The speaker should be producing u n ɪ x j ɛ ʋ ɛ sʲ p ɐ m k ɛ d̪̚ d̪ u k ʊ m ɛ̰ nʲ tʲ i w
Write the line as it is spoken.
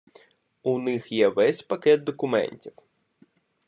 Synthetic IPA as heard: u n ɪ x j ɛ ʋ ɛ sʲ p ɐ k ɛ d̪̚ d̪ ɔ k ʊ m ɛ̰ nʲ tʲ i w